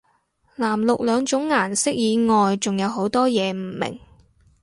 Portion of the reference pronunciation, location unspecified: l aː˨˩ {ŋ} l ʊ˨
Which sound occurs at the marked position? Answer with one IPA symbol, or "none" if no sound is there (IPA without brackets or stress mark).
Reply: m